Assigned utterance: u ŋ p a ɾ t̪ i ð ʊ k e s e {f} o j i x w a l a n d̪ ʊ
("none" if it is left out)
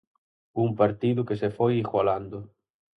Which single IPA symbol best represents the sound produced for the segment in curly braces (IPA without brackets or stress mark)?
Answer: f